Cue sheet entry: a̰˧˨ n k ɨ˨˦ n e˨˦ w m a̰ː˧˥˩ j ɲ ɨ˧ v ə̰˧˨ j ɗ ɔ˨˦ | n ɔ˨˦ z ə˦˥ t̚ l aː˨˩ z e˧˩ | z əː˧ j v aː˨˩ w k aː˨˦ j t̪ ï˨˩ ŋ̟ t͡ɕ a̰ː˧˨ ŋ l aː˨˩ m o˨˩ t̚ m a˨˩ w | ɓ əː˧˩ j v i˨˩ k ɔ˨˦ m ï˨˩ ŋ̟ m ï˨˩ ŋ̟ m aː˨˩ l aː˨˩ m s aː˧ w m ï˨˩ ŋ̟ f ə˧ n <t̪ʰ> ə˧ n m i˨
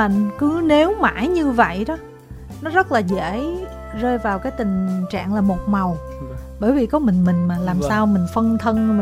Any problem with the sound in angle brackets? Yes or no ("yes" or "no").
no